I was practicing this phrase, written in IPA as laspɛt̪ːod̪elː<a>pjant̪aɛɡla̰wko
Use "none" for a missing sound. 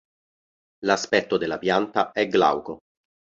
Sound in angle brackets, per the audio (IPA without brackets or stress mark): a